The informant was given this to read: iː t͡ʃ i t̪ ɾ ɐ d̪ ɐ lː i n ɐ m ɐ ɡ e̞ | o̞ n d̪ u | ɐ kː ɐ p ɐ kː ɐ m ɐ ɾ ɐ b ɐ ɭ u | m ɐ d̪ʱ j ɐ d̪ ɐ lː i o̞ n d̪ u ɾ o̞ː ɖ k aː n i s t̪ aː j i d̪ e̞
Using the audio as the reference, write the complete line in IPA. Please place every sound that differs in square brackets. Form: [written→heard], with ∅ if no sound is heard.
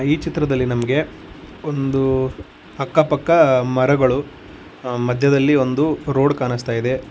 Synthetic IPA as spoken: iː t͡ʃ i t̪ ɾ ɐ d̪ ɐ lː i n ɐ m ɐ ɡ e̞ | o̞ n d̪ u | ɐ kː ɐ p ɐ kː ɐ m ɐ ɾ ɐ [b→ɡ] ɐ ɭ u | m ɐ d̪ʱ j ɐ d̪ ɐ lː i o̞ n d̪ u ɾ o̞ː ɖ k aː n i s t̪ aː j i d̪ e̞